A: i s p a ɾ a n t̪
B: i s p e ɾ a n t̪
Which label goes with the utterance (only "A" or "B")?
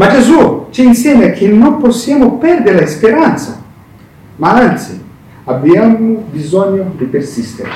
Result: B